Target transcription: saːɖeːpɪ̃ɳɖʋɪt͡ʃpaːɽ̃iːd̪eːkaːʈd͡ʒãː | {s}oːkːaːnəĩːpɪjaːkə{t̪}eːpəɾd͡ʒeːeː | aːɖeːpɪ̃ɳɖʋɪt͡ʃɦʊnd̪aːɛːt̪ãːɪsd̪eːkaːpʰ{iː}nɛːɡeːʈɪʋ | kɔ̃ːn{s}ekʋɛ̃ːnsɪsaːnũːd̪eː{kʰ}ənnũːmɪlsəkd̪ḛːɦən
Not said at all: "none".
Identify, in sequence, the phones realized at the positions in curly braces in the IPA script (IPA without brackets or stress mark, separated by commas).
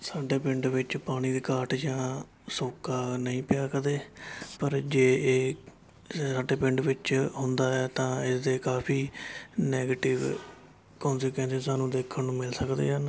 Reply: s, d̪, iː, s, kʰ